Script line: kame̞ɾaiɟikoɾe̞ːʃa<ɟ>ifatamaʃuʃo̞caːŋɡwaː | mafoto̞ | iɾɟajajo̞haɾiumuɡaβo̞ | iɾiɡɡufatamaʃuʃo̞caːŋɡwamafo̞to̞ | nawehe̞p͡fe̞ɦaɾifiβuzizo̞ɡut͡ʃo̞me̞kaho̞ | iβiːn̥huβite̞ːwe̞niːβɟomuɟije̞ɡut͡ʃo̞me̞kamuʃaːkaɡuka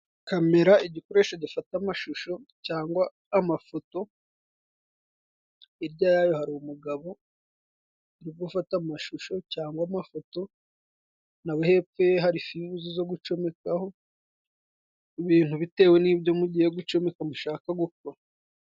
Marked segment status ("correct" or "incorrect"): correct